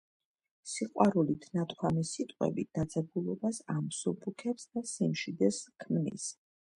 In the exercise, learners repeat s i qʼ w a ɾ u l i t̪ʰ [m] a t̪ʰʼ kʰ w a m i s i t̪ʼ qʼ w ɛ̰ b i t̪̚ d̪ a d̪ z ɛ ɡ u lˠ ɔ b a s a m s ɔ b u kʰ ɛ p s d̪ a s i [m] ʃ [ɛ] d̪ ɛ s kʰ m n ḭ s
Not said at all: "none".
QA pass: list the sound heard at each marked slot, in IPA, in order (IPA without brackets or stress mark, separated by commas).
n, m, i